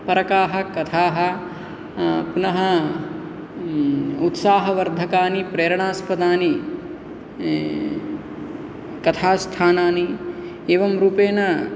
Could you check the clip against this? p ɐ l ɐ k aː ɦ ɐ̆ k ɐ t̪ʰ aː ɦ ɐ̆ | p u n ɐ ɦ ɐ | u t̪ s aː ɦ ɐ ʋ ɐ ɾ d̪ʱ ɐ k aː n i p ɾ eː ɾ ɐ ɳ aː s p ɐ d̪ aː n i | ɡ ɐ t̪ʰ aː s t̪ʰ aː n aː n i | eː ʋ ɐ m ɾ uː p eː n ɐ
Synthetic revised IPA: p ɐ ɾ ɐ k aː ɦ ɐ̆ k ɐ t̪ʰ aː ɦ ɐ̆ | p u n ɐ ɦ ɐ | u t̪ s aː ɦ ɐ ʋ ɐ ɾ d̪ʱ ɐ k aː n i p ɾ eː ɾ ɐ ɳ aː s p ɐ d̪ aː n i | k ɐ t̪ʰ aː s t̪ʰ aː n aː n i | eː ʋ ɐ m ɾ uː p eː n ɐ